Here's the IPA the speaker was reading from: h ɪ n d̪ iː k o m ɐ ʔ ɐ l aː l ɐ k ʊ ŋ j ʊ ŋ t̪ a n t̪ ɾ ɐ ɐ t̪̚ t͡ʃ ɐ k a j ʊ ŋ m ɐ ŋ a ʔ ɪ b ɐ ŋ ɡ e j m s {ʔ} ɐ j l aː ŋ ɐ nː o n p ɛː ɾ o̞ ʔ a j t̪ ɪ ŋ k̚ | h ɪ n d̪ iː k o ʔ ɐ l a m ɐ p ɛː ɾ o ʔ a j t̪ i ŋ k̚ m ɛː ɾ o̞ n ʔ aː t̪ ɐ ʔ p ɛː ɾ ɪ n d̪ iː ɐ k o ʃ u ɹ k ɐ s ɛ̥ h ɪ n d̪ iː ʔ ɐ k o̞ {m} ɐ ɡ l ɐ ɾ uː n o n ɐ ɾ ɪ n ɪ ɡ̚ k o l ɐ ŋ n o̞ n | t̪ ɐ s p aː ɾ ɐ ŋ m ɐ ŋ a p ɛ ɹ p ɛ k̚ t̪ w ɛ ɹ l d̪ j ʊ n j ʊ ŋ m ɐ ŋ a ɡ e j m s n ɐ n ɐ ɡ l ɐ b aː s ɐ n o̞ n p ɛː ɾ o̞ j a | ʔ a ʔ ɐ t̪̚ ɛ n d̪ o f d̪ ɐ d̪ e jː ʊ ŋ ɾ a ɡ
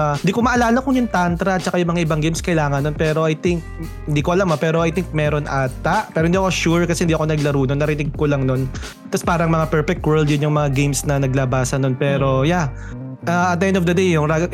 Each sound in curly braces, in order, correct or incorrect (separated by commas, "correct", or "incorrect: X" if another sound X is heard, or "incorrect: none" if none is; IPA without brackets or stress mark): incorrect: k, incorrect: n